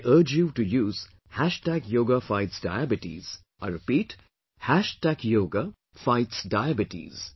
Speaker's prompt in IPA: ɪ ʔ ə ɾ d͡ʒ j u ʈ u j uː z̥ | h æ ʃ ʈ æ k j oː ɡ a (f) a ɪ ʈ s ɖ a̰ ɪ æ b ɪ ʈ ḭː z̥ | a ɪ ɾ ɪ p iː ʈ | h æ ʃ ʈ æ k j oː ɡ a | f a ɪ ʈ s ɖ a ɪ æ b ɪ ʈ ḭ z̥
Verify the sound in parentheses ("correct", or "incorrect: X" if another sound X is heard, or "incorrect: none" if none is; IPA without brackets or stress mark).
correct